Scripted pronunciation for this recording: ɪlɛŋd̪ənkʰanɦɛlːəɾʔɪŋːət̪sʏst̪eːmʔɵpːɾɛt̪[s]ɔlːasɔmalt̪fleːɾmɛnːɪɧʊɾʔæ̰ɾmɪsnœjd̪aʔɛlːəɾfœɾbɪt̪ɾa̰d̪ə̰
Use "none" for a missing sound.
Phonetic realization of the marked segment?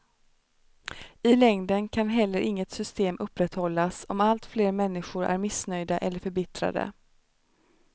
h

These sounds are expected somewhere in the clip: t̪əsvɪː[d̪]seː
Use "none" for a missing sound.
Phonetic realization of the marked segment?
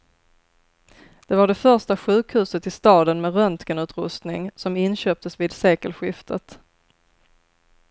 d̪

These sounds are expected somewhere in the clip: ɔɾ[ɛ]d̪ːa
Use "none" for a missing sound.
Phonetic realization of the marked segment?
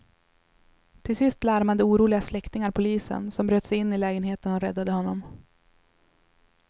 ɛ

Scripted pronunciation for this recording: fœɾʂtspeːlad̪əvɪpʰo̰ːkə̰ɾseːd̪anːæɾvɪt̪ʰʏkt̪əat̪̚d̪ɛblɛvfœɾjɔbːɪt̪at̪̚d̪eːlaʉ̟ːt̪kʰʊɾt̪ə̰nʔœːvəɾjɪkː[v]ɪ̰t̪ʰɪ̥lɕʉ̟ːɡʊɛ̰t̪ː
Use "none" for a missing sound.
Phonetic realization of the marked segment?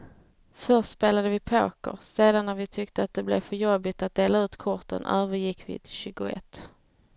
v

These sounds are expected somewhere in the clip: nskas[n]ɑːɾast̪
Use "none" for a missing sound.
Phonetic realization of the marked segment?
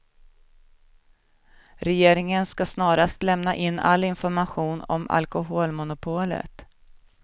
n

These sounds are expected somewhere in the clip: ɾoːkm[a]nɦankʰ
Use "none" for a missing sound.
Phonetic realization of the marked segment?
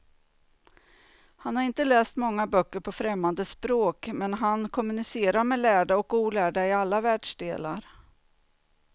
ɛ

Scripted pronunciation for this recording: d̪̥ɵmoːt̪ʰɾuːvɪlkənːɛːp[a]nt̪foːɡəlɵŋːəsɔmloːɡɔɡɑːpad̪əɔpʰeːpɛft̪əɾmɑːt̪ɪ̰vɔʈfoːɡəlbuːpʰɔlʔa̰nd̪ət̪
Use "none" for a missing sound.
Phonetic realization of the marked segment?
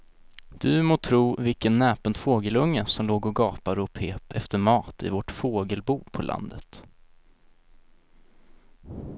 ə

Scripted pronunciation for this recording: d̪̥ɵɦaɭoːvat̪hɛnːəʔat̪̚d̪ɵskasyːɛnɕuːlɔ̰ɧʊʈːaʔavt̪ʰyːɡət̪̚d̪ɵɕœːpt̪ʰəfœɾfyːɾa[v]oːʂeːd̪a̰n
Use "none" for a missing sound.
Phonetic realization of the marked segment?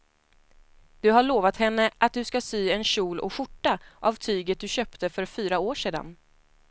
none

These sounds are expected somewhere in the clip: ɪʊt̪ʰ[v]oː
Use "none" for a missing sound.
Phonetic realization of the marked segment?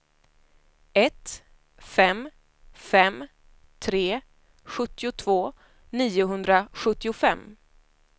v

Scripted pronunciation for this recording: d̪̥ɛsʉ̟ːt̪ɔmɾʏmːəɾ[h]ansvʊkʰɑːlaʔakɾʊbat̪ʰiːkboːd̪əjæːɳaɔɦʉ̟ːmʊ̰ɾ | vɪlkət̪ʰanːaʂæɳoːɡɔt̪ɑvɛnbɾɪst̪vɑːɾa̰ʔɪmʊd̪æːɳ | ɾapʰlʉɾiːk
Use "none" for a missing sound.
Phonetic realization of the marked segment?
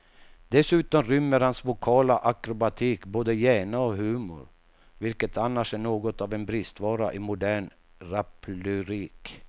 h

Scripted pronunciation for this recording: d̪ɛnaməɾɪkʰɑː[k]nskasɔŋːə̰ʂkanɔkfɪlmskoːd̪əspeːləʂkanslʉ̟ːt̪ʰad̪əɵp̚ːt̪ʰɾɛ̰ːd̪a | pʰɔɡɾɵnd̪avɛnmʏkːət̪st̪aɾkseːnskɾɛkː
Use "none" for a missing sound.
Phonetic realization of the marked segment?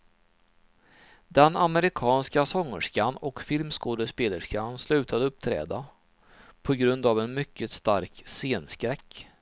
none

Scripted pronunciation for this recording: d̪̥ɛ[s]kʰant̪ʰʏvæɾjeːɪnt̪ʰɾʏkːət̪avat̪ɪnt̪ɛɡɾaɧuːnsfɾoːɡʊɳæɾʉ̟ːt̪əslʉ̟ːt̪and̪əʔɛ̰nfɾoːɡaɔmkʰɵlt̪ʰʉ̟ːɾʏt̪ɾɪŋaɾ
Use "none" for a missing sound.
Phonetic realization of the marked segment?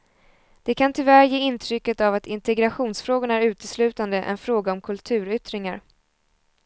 none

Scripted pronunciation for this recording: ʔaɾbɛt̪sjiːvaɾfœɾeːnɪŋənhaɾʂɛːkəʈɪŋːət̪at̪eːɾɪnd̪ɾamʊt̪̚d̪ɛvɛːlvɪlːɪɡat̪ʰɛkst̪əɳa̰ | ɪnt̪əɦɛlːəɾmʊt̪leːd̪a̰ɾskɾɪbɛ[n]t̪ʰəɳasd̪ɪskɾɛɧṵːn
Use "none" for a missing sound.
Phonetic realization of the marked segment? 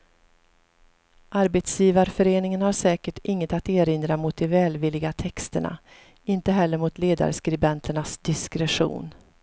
n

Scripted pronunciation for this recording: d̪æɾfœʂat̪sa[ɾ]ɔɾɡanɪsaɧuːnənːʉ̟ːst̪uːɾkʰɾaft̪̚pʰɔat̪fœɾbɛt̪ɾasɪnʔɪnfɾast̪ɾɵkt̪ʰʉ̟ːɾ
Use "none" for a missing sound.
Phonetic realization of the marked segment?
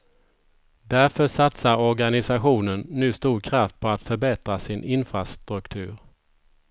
ɾ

